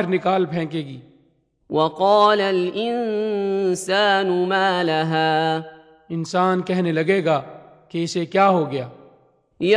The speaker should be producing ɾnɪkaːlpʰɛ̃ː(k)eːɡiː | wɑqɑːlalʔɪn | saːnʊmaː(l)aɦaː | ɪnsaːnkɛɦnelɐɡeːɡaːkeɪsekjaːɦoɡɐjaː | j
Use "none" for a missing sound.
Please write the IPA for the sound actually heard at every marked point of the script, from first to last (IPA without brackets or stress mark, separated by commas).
k, l